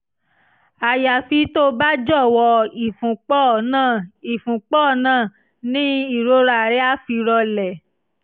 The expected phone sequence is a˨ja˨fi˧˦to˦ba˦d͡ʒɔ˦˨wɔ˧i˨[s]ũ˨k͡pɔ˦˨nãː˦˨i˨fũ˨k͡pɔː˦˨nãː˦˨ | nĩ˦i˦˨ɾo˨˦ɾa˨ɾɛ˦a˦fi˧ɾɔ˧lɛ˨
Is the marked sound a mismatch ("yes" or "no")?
yes